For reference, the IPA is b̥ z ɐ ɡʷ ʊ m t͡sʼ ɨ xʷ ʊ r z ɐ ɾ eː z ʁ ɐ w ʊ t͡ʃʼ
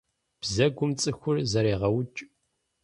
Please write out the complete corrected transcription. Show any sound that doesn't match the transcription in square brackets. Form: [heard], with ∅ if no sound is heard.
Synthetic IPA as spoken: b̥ z ɐ ɡʷ ʊ m t͡sʼ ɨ xʷ ʊ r z ɐ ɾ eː [∅] ʁ ɐ w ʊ t͡ʃʼ